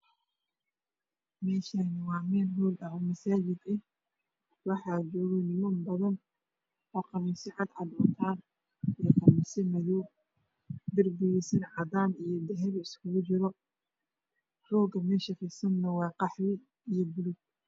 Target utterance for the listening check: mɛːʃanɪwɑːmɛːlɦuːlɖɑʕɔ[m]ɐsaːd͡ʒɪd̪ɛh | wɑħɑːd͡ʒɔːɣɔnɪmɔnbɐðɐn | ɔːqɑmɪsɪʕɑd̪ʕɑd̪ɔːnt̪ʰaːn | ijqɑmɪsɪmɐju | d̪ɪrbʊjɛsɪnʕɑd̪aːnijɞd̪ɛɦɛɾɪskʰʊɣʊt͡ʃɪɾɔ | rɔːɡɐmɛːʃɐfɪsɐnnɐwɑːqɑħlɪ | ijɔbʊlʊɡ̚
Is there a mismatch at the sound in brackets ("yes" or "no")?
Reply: no